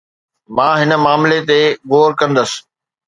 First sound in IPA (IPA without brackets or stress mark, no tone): m